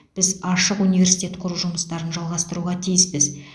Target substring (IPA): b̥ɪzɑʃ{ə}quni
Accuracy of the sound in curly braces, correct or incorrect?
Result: correct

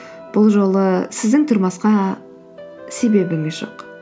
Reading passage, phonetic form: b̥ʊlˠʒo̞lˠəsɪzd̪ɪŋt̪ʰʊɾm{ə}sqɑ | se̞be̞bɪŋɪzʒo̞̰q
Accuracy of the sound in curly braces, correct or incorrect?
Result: incorrect: ɑ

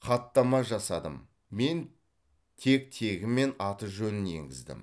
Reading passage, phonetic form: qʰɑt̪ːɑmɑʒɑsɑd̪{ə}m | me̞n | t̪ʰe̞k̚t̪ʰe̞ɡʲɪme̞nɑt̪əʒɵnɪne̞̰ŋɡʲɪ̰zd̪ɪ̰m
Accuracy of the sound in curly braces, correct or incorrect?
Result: correct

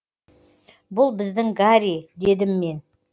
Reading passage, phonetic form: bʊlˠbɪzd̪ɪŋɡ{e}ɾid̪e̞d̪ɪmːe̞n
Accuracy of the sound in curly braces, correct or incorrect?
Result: incorrect: a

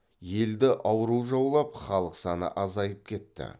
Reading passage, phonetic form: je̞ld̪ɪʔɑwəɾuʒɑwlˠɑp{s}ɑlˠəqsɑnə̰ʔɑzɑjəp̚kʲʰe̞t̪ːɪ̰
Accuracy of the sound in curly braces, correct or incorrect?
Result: incorrect: χ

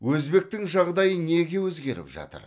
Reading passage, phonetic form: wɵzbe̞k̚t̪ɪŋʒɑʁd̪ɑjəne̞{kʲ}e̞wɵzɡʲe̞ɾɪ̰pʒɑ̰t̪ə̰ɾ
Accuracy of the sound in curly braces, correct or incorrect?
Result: incorrect: ɡʲ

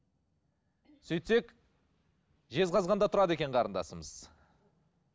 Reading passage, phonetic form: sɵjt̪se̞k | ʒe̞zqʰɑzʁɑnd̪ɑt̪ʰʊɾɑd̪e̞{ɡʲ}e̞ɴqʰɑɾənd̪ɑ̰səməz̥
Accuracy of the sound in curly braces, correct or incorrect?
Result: incorrect: kʲ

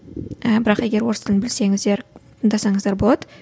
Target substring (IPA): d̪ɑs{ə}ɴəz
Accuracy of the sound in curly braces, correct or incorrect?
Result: incorrect: ɑ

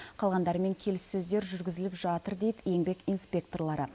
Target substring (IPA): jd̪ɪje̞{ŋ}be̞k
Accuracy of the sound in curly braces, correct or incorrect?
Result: correct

